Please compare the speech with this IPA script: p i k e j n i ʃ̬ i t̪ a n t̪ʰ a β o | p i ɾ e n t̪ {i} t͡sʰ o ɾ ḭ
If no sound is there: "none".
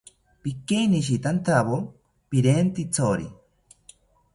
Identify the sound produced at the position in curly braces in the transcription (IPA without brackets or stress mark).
i